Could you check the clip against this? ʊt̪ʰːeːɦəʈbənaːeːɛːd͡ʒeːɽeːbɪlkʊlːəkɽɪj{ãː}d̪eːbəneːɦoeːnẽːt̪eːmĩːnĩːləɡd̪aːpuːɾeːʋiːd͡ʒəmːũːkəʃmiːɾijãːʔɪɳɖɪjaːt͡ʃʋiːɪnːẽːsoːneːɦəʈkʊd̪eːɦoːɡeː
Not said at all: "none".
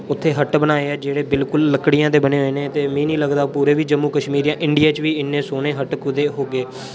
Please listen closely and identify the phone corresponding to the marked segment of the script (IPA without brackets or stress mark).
ãː